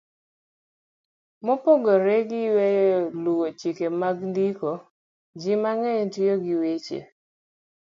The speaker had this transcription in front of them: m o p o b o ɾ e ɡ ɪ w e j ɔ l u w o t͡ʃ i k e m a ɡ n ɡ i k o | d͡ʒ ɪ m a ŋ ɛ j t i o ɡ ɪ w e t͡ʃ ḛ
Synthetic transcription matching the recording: m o p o ɡ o ɾ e ɡ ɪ w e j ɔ l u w o t͡ʃ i k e m a ɡ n d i k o | d͡ʒ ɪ m a ŋ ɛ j t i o ɡ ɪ w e t͡ʃ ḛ